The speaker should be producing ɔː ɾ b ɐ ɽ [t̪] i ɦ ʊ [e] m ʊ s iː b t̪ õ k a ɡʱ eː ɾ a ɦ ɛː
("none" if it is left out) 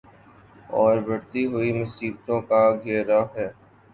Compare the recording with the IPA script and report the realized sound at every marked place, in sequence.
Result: t̪, i

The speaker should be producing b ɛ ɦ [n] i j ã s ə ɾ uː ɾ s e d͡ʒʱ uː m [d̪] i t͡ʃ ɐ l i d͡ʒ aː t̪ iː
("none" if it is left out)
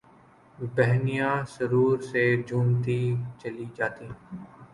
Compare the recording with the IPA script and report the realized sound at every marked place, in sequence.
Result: n, t̪

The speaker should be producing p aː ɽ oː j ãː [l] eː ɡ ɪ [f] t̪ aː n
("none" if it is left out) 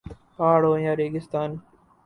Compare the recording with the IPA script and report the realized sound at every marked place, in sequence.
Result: ɾ, s

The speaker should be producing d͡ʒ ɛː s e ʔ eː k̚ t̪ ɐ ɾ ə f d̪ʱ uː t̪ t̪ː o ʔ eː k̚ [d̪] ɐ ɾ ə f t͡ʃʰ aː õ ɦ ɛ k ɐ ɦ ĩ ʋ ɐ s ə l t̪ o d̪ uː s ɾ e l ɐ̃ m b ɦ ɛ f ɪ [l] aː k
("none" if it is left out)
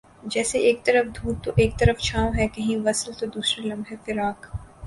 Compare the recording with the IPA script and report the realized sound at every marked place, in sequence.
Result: t̪, ɾ

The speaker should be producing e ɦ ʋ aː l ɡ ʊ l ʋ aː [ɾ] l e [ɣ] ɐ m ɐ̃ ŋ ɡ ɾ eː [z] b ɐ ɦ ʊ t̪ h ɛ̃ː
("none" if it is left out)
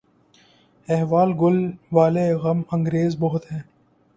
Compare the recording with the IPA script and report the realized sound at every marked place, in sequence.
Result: none, ɣ, z

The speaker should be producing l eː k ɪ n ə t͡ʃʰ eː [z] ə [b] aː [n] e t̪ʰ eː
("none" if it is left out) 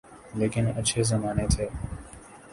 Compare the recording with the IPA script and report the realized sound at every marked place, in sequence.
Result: z, m, n

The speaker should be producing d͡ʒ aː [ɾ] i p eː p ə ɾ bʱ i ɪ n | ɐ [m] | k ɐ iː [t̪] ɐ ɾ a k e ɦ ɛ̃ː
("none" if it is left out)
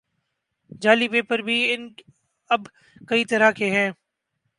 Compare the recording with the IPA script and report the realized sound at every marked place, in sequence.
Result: l, b, t̪

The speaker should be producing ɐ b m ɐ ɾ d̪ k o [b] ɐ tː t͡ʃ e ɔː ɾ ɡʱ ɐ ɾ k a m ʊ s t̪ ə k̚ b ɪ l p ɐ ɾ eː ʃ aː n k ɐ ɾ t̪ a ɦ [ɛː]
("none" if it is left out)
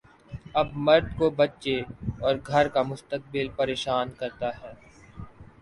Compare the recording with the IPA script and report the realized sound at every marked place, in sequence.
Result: b, ɛː

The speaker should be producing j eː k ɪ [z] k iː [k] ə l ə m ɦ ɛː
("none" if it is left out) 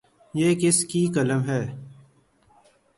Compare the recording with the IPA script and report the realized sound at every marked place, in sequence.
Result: s, k

